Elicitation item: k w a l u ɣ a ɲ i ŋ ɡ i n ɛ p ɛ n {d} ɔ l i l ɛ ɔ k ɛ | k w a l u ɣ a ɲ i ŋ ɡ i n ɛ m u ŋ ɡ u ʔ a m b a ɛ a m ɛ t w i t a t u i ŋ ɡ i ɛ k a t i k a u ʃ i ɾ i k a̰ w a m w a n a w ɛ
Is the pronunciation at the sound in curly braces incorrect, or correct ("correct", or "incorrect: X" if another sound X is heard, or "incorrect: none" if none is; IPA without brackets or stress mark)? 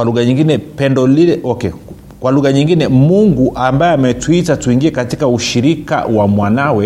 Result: correct